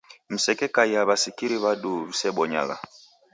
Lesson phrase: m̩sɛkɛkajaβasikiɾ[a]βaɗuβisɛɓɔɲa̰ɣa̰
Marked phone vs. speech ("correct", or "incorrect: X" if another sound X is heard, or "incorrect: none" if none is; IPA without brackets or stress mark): incorrect: i